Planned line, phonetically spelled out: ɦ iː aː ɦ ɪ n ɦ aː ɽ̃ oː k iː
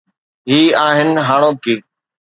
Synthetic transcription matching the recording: ɦ iː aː ɦ ɪ n ɦ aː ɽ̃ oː k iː